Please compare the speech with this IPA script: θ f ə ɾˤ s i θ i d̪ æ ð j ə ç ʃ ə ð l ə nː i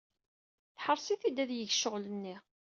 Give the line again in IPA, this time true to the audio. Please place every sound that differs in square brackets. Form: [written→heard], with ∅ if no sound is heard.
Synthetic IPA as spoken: θ [f→ħ] ə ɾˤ s i θ i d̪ æ ð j ə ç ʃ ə [ð→ʁ] l ə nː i